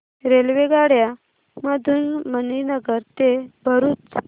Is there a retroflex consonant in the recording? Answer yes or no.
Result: yes